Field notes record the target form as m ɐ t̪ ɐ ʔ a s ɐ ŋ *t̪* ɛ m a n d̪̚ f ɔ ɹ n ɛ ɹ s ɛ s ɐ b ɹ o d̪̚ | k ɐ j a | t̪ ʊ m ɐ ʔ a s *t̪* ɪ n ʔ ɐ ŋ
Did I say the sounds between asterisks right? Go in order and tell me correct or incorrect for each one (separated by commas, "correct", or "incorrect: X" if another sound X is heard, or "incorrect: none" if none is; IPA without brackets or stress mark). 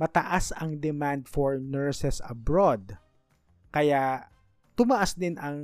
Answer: incorrect: d̪, incorrect: d̪